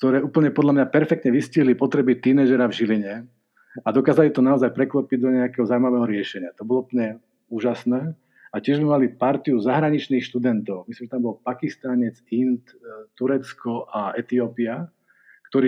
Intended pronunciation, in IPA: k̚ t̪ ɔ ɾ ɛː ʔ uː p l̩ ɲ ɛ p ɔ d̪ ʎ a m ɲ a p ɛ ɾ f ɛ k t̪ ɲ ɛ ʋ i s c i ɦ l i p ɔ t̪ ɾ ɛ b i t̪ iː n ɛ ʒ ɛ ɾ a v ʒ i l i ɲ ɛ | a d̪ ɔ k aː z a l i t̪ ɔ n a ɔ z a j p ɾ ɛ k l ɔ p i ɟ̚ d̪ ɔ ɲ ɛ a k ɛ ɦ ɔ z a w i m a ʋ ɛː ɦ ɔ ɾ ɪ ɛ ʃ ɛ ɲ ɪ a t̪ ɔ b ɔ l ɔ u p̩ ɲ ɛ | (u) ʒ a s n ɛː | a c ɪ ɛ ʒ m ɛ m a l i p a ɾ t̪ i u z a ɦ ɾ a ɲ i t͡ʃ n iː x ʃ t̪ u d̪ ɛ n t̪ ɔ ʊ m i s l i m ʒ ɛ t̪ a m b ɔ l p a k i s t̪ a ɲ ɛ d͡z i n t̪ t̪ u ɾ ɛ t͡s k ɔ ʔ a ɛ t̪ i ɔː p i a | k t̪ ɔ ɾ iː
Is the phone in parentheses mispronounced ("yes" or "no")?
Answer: yes